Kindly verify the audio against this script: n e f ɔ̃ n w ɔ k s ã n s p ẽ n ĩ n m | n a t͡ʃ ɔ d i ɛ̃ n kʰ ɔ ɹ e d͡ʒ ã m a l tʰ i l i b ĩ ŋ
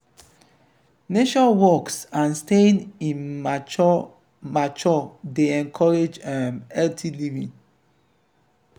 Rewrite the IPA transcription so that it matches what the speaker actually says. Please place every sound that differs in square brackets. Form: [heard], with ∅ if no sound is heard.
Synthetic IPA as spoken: n e [ʃ] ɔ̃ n w ɔ k s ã n s [t] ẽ n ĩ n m | [m] a t͡ʃ ɔ d [e] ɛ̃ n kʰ ɔ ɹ e d͡ʒ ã m [ɛ] l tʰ i l i [v] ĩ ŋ